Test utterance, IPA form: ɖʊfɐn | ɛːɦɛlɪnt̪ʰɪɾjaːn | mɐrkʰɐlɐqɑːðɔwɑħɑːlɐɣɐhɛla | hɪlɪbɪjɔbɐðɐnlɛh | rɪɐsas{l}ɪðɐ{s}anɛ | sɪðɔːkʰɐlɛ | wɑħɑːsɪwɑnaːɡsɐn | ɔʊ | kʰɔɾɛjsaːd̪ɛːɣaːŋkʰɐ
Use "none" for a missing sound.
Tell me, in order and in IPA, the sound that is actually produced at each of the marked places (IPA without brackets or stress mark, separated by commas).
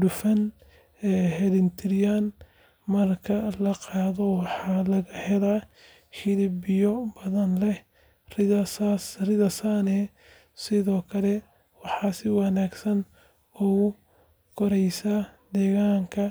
r, s